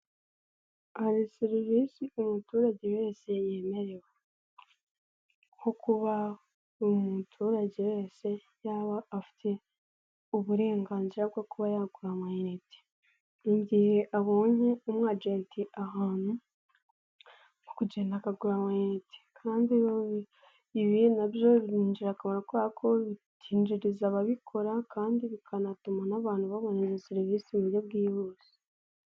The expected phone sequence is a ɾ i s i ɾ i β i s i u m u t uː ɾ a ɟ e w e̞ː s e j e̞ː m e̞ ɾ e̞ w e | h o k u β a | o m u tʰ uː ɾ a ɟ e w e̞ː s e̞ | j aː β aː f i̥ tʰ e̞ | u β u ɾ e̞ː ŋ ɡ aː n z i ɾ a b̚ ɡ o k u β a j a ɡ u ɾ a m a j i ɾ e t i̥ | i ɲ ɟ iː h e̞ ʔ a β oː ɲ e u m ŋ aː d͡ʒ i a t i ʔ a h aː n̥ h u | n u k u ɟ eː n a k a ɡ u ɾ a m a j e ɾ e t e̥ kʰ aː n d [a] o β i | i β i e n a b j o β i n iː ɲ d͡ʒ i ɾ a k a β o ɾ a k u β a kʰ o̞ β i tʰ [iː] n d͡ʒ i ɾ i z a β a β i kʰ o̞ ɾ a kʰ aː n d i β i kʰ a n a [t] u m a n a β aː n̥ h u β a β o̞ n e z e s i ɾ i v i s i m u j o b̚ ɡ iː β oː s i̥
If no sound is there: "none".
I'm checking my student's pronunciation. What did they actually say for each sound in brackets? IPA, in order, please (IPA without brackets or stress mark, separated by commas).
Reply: i, iː, t